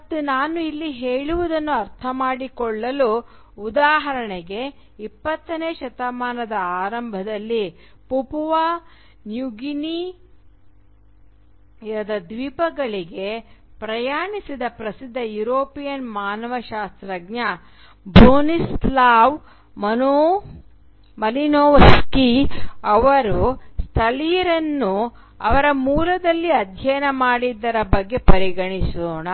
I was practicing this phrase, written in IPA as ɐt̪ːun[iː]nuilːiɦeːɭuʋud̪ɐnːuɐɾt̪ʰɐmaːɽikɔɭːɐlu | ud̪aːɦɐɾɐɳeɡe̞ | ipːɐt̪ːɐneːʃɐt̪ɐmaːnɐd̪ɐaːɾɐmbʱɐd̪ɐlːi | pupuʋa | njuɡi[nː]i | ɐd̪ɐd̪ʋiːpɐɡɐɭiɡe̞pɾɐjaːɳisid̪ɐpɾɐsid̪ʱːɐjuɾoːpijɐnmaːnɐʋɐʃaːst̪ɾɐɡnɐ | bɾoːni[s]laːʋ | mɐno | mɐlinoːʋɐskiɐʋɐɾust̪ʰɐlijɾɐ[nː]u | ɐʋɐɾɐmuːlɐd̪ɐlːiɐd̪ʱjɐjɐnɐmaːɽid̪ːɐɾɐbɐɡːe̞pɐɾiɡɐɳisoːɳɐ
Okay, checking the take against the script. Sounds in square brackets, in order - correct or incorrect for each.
incorrect: aː, incorrect: n, correct, correct

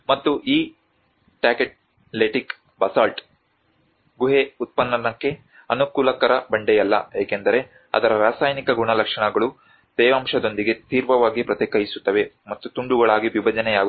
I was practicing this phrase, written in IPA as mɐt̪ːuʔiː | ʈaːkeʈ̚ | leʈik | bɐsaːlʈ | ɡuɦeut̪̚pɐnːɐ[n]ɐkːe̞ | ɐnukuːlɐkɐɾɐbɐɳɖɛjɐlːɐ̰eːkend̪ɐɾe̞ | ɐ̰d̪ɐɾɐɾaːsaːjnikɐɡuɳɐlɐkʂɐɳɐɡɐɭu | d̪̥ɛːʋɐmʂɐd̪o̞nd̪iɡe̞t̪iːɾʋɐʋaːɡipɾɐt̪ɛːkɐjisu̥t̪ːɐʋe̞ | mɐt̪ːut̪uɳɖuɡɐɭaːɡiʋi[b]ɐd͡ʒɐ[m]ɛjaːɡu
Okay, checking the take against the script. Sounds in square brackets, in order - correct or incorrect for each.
correct, correct, incorrect: n

